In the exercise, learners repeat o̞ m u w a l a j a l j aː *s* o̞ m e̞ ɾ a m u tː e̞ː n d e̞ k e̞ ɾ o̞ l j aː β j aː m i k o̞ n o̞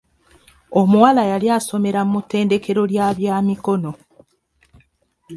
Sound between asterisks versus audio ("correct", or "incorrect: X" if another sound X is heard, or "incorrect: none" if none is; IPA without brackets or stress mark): correct